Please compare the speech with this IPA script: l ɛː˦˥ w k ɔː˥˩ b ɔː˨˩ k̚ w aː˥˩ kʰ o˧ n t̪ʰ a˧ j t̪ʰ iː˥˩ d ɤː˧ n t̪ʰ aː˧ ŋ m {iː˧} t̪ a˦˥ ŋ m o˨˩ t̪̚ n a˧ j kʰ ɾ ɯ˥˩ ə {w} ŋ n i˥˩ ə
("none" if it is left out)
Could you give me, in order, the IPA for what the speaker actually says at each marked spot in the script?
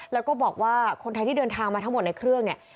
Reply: aː˧, none

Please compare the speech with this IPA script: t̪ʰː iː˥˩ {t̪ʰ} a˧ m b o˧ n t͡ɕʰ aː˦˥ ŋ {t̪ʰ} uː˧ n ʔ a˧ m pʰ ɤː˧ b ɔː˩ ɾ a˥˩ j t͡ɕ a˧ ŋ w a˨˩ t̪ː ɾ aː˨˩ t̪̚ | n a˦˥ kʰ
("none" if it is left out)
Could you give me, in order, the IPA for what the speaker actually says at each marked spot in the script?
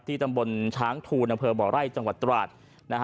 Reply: t̪, t̪ʰ

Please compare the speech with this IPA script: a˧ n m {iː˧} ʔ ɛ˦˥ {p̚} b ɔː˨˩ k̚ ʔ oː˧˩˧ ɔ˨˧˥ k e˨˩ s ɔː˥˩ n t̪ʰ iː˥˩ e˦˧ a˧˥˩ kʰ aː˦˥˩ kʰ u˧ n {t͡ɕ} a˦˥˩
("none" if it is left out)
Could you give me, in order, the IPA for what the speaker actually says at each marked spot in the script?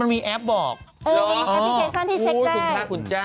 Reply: iː˧, p̚, t͡ɕ

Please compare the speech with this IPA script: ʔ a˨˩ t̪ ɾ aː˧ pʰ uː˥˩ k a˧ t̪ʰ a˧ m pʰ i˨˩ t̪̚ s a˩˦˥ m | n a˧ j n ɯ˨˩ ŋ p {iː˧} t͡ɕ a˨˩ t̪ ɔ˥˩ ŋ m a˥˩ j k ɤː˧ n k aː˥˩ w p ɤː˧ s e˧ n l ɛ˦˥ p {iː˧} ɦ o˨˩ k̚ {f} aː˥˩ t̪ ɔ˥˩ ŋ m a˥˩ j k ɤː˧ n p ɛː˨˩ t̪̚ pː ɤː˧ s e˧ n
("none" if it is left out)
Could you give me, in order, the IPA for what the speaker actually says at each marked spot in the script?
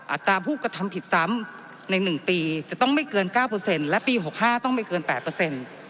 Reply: iː˧, iː˧, h

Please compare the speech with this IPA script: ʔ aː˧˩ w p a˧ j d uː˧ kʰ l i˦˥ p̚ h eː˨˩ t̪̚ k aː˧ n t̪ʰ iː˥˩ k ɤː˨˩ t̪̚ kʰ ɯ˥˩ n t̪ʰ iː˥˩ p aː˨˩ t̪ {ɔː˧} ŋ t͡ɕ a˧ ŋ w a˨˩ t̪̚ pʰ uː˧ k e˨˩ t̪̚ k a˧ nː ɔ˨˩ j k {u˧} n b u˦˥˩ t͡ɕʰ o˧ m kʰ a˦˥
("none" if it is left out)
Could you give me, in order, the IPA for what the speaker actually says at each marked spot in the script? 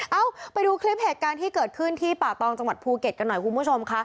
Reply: ɔː˧, u˧

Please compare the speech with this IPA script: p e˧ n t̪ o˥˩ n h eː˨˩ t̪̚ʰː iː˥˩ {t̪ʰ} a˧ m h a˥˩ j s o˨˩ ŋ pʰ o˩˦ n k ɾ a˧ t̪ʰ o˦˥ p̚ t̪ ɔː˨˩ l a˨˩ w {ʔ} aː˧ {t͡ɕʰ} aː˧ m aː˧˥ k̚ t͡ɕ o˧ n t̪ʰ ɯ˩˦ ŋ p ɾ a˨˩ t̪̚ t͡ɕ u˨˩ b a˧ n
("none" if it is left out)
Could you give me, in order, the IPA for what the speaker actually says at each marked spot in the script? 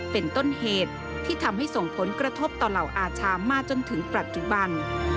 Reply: t̪ʰ, ʔ, t͡ɕʰ

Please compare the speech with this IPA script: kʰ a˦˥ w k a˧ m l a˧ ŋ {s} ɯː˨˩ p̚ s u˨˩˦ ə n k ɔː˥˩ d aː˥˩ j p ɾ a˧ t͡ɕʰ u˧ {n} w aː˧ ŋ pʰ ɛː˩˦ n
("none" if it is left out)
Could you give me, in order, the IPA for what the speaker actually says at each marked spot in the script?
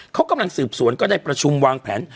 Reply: s, m

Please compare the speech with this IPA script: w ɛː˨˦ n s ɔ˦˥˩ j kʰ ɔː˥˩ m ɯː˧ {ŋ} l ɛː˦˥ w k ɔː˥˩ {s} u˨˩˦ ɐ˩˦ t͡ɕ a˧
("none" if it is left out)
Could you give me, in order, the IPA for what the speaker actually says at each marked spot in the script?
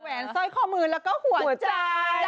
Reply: n, h

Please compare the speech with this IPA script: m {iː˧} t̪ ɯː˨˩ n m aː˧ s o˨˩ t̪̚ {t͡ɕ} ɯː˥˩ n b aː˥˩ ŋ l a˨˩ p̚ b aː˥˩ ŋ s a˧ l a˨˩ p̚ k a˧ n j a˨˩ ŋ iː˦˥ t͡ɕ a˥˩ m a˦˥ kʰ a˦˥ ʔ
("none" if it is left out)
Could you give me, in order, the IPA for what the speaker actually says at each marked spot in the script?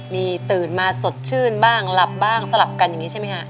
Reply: iː˧, t͡ɕʰ

